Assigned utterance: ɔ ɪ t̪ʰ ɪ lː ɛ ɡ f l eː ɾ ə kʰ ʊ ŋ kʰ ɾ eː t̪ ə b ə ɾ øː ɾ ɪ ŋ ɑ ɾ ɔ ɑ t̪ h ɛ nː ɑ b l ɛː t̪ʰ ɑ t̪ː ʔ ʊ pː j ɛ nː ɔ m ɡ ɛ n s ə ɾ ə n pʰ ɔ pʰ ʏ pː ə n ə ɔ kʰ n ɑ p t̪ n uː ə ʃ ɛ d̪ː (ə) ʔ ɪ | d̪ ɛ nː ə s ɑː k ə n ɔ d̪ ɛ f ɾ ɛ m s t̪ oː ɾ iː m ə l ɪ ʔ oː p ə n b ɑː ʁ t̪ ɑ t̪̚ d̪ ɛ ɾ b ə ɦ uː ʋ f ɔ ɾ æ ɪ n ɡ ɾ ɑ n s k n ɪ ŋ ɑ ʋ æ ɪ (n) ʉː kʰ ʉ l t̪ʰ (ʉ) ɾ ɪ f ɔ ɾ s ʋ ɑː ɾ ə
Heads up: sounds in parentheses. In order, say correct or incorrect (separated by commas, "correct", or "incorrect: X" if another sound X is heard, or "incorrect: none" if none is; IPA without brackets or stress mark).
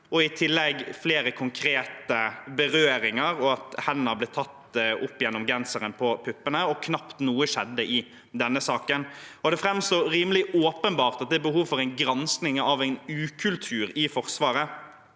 correct, correct, incorrect: ʉː